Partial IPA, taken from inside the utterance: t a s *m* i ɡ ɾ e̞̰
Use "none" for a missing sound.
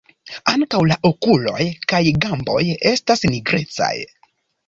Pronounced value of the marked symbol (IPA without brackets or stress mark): n